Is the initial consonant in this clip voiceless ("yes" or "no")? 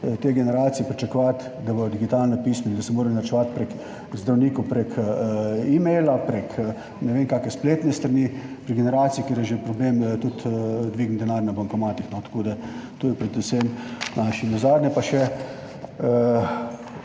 yes